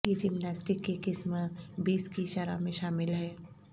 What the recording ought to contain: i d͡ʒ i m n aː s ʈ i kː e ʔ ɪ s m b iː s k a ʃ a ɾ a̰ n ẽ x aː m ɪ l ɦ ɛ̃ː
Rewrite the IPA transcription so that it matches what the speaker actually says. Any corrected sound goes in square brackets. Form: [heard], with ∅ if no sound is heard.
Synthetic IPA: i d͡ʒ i m n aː s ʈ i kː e [k] ɪ s m b iː s k [i] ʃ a ɾ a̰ [m] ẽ [ʃ] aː m ɪ l ɦ [ɛː]